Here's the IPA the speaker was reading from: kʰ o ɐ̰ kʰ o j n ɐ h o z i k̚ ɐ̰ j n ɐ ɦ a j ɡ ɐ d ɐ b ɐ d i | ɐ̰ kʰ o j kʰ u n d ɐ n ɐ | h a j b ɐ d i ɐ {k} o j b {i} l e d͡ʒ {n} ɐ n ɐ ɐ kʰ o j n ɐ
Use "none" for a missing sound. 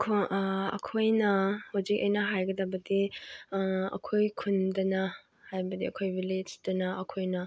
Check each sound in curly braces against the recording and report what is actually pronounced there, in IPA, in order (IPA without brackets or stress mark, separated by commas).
kʰ, i, d